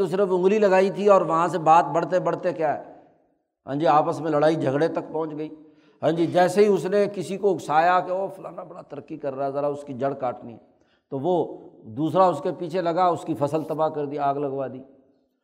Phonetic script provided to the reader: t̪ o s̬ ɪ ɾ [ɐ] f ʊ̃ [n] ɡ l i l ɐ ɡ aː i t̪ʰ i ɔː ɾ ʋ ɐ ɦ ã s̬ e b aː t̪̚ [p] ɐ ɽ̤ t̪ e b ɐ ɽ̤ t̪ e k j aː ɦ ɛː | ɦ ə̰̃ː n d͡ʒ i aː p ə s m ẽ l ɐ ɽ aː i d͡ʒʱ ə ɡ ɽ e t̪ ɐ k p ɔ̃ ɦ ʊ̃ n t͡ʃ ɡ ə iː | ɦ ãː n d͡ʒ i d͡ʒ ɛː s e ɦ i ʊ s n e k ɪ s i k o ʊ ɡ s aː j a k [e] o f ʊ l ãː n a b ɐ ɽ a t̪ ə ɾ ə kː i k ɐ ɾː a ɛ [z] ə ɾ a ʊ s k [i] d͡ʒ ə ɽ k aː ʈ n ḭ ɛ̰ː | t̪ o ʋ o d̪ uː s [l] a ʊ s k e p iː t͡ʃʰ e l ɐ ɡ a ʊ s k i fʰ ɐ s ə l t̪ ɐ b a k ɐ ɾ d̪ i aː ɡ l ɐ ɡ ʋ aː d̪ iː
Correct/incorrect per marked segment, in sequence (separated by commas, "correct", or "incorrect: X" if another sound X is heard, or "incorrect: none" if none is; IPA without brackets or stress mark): incorrect: ə, incorrect: ŋ, incorrect: b, correct, correct, correct, incorrect: ɾ